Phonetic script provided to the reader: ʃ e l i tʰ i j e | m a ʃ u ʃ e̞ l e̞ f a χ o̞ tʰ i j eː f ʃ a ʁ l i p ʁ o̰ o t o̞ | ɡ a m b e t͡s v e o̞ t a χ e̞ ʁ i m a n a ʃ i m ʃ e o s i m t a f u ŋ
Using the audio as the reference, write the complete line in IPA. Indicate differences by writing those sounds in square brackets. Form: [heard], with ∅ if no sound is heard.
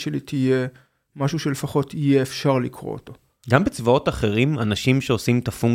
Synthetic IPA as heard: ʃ e l i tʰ i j e | m a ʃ u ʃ e̞ l e̞ f a χ o̞ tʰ i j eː f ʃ a ʁ l i [k] ʁ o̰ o t o̞ | ɡ a m b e t͡s v [a] o̞ t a χ e̞ ʁ i m a n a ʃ i m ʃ e o s i m t a f u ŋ